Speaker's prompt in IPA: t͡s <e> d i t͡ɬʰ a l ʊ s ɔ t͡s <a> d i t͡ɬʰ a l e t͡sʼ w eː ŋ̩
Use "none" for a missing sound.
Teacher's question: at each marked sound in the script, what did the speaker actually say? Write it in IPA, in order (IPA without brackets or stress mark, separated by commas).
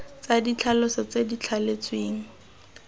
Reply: a, e